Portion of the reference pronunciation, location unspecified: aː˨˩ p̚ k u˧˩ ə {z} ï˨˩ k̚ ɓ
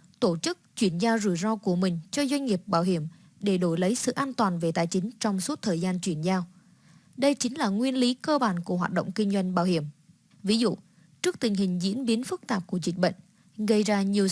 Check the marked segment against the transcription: correct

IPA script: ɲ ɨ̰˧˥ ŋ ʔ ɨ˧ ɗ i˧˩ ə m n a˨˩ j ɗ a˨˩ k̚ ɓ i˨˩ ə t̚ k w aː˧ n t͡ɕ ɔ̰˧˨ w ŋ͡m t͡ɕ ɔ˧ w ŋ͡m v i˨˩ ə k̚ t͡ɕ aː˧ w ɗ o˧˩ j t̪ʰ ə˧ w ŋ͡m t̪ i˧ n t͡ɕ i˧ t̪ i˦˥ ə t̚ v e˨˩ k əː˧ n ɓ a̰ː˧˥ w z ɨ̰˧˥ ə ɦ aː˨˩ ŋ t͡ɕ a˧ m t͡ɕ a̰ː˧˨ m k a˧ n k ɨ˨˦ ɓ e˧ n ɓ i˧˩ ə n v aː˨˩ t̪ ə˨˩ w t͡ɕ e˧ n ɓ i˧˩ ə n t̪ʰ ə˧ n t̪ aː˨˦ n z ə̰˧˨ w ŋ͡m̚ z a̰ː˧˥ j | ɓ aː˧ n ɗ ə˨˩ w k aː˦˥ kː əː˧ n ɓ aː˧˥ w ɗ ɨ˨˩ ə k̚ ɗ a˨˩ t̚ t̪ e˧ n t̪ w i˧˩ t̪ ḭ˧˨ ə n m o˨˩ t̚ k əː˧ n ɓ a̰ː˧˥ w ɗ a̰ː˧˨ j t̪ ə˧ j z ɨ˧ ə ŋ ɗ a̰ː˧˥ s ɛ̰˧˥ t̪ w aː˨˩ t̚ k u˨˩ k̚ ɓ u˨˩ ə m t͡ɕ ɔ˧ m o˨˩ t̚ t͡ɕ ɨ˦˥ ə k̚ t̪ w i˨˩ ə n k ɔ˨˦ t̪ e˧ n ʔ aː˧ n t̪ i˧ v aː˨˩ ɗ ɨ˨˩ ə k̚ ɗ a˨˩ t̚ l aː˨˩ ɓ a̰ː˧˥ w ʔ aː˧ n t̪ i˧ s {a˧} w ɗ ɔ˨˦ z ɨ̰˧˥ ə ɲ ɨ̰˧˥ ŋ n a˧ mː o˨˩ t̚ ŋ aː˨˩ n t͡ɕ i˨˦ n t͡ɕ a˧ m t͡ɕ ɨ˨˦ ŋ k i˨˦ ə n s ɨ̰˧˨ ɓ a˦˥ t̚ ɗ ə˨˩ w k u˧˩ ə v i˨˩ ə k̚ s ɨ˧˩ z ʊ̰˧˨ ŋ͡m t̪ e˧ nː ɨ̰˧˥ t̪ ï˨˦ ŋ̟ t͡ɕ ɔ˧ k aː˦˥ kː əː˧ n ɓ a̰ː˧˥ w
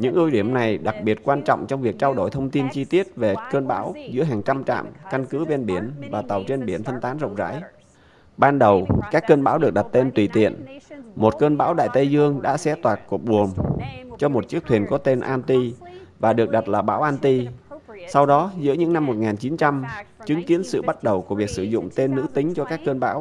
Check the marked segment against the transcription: correct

